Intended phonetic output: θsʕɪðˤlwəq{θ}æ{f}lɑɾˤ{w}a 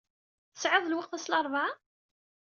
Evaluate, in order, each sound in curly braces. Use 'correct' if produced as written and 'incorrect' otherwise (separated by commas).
correct, incorrect, incorrect